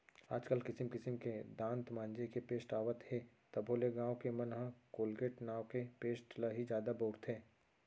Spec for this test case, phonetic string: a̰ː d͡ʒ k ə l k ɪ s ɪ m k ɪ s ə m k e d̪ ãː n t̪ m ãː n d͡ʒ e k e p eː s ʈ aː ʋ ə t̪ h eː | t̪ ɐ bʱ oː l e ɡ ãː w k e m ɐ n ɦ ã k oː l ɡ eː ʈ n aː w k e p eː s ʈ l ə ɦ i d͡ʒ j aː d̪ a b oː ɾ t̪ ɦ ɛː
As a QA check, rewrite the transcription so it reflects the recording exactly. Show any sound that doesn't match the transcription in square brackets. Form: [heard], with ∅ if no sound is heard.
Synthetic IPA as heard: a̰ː d͡ʒ k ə l k ɪ s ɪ m k ɪ s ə m k e d̪ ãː n t̪ m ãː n d͡ʒ e k e p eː s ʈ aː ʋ ə t̪ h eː | t̪ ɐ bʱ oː l e ɡ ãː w k e m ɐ n ɦ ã k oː l ɡ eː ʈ n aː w k e p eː s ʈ l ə ɦ i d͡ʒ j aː d̪ a b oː ɾ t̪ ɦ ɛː